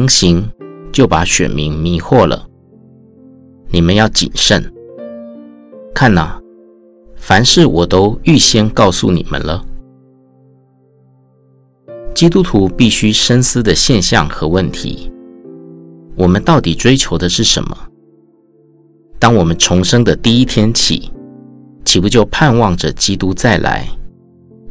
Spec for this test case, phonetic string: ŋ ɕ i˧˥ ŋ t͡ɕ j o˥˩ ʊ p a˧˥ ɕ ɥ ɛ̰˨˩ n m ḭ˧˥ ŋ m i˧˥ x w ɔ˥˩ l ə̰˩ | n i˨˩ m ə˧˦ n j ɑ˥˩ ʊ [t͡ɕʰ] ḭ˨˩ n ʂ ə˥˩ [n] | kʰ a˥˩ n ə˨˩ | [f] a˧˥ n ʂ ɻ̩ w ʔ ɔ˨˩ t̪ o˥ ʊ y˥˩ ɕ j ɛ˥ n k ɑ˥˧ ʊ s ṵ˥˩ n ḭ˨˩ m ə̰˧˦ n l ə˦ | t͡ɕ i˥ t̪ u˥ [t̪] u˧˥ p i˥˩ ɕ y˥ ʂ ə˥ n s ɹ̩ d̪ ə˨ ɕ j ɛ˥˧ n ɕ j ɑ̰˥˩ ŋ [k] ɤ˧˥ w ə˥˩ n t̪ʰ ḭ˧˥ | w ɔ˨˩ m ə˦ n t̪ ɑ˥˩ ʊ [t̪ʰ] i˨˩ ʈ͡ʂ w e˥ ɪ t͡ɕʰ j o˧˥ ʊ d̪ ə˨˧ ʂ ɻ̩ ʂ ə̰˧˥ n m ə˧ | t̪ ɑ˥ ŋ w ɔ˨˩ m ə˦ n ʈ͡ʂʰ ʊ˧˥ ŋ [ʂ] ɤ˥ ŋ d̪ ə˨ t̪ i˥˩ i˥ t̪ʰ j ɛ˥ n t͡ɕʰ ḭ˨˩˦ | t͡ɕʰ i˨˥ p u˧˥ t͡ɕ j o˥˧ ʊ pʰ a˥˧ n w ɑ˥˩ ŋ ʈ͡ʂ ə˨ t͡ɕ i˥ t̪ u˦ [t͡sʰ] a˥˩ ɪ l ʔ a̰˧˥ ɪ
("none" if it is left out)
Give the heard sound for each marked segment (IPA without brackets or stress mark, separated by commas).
t͡ɕ, n, f, t̪ʰ, x, t̪, ʂ, t͡s